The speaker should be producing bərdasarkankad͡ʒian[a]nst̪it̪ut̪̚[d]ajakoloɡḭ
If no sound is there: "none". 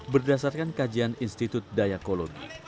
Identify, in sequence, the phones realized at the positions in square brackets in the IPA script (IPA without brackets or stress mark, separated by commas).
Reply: i, d